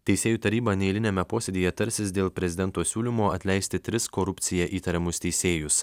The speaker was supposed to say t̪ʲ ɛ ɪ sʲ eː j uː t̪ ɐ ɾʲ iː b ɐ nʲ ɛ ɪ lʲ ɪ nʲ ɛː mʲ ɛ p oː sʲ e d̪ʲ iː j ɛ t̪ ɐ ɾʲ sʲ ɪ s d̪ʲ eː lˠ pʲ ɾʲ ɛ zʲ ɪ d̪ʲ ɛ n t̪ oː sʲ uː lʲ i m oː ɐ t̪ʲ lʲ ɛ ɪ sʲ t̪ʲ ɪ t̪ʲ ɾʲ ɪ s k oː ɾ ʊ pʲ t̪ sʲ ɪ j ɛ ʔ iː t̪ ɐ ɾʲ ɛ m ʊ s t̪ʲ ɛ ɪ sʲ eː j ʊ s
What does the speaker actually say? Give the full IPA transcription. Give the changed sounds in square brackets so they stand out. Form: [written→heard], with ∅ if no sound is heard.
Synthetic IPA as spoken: t̪ʲ ɛ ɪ sʲ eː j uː t̪ ɐ ɾʲ iː b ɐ nʲ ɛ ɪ lʲ ɪ nʲ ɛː mʲ ɛ p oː sʲ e d̪ʲ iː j ɛ t̪ ɐ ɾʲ sʲ ɪ s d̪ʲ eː lˠ pʲ ɾʲ ɛ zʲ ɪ d̪ʲ ɛ n t̪ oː sʲ uː lʲ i m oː ɐ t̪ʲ lʲ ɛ ɪ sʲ t̪ʲ ɪ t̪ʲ ɾʲ ɪ s k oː ɾ ʊ pʲ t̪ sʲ ɪ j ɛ ʔ iː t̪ ɐ ɾʲ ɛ m ʊ s t̪ʲ ɛ ɪ sʲ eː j ʊ s

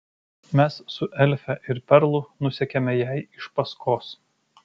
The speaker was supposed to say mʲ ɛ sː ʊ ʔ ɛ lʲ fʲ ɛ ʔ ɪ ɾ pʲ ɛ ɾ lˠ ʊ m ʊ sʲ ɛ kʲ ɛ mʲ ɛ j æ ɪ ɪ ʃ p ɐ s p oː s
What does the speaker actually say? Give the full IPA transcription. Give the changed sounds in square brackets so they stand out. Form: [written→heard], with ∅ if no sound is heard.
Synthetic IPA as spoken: mʲ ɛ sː ʊ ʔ ɛ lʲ fʲ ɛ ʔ ɪ ɾ pʲ ɛ ɾ lˠ ʊ [m→n] ʊ sʲ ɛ kʲ ɛ mʲ ɛ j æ ɪ ɪ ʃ p ɐ s [p→k] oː s

